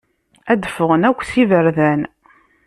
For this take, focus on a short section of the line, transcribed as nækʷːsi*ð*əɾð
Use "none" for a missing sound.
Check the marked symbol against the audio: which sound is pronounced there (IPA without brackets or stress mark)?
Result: v